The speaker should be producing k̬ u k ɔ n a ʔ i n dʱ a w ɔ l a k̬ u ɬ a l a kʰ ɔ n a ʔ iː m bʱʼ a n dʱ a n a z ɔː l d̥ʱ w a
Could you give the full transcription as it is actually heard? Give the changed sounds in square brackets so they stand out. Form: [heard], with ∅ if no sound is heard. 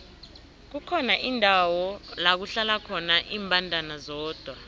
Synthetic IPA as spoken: k̬ u [kʰ] ɔ n a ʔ i n dʱ a w ɔ l a k̬ u ɬ a l a kʰ ɔ n a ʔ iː m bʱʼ a n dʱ a n a z ɔː [∅] d̥ʱ w a